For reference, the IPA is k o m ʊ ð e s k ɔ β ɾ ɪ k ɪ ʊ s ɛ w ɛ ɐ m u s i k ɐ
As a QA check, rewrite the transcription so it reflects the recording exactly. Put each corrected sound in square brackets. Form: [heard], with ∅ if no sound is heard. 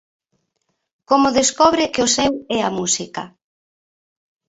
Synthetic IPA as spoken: k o m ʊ ð e s k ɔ β ɾ ɪ k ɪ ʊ s ɛ w ɛ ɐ m u s i k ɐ

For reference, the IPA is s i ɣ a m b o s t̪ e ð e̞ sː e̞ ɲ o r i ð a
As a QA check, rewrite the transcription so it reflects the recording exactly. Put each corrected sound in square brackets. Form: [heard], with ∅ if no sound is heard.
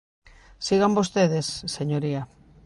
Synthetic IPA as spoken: s i ɣ a m b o s t̪ e ð e̞ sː e̞ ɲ o [ɾ] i [∅] a

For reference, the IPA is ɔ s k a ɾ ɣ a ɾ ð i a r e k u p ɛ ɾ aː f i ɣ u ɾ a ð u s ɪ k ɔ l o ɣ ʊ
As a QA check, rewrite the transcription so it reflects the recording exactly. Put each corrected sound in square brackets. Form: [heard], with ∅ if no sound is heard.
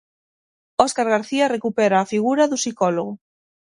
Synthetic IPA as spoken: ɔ s k a ɾ ɣ a ɾ [θ] i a r e k u p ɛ ɾ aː f i ɣ u ɾ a ð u s [i] k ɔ l o ɣ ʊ

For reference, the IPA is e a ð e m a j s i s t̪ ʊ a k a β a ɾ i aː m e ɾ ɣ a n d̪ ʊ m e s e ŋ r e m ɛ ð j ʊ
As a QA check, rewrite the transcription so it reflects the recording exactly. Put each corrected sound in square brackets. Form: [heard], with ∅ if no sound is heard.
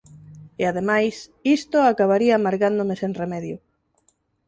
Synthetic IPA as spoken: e a ð e m a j s i s t̪ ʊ a k a β a ɾ i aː m [a] ɾ ɣ a n d̪ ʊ m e s e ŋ r e m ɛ ð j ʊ

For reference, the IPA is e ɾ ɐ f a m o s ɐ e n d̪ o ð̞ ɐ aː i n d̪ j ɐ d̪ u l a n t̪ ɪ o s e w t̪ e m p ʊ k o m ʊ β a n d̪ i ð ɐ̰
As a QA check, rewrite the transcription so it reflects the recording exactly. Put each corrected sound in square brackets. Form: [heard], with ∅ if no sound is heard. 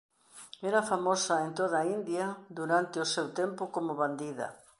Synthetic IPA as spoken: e ɾ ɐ f a m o s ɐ e n [t̪] o ð̞ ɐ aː i n d̪ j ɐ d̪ u [ɾ] a n t̪ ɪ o s e w t̪ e m p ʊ k o m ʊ β a n d̪ i ð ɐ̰

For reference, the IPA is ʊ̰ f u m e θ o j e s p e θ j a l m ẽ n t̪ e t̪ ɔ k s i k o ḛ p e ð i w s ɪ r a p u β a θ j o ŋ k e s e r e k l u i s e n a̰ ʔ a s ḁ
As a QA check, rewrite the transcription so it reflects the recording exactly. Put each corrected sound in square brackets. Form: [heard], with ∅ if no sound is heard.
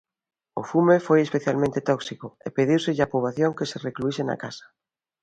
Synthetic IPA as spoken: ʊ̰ f u m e [f] o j e s p e θ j a l m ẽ n t̪ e t̪ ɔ k s i k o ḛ p e ð i w s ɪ [ʎ] a p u β a θ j o ŋ k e s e r e k l u i s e n a̰ [k] a s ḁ

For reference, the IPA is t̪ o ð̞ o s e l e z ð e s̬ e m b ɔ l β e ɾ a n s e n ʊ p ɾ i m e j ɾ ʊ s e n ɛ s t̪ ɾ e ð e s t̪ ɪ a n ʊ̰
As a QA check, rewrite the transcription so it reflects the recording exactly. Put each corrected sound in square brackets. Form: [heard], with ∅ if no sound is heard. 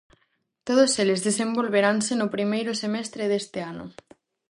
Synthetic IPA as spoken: t̪ o ð̞ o s e l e z ð e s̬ e m b [o] l β e ɾ a n s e n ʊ p ɾ i m e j ɾ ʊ s e [m] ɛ s t̪ ɾ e ð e s t̪ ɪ a n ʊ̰

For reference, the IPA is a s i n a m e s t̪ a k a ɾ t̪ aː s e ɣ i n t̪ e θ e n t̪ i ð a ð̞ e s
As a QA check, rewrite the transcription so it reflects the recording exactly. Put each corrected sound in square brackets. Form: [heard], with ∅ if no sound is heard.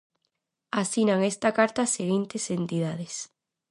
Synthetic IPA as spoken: a s i n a [ŋ] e s t̪ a k a ɾ t̪ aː s e ɣ i n t̪ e [s] e n t̪ i ð a ð̞ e s

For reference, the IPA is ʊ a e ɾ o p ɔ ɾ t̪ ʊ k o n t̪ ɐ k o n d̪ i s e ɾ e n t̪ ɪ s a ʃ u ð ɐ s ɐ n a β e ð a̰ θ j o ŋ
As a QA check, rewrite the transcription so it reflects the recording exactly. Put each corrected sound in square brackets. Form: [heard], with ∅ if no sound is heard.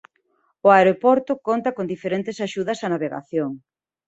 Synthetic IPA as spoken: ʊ a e ɾ o p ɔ ɾ t̪ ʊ k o n t̪ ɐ k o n d̪ i [f] e ɾ e n t̪ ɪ s a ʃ u ð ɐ s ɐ n a β e [ɣ] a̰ θ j o ŋ

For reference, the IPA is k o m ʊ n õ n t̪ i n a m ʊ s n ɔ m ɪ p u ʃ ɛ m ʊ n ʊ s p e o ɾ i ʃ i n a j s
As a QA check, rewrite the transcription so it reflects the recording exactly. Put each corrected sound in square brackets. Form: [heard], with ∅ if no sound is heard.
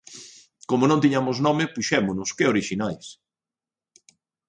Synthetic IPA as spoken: k o m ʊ n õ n t̪ i [ɲ] a m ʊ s n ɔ m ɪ p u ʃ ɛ m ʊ n ʊ s [k] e o ɾ i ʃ i n a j s

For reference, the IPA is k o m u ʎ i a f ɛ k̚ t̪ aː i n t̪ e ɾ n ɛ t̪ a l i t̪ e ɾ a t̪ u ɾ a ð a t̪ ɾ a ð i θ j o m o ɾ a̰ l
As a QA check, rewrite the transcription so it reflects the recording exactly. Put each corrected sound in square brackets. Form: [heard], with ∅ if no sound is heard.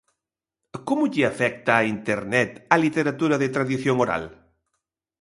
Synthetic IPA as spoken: k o m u ʎ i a f ɛ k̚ t̪ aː i n t̪ e ɾ n ɛ t̪ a l i t̪ e ɾ a t̪ u ɾ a ð [e] t̪ ɾ a ð i θ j o [ŋ] o ɾ a̰ l

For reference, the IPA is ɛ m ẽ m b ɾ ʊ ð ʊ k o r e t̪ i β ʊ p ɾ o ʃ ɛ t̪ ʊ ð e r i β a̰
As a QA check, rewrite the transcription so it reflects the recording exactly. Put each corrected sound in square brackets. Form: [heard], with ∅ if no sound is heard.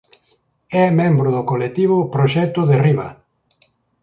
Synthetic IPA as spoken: ɛ m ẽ m b ɾ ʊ ð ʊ k o [l] e t̪ i β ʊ p ɾ o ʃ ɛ t̪ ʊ ð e r i β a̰

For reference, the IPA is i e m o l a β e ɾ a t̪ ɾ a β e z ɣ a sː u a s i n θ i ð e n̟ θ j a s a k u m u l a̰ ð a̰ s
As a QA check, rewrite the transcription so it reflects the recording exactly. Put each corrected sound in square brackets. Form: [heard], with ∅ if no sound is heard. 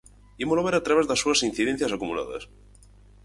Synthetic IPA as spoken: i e m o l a β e ɾ a t̪ ɾ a β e z [ð] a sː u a s i n θ i ð e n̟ θ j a s a k u m u l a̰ ð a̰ s

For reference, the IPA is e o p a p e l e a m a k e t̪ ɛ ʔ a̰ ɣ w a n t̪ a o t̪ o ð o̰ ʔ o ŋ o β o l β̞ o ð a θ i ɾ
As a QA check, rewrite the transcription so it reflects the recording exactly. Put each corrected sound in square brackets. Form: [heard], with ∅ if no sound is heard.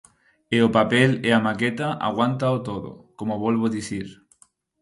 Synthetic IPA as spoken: e o p a p e l e a m a k e t̪ [a] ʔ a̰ ɣ w a n t̪ a o t̪ o ð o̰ [k] o [m] o β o l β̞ o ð [i] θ i ɾ

